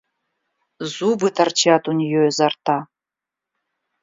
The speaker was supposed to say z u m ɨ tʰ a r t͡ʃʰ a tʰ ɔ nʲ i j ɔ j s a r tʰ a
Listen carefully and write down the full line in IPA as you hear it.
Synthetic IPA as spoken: z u b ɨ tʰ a r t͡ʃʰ a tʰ u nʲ i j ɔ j z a r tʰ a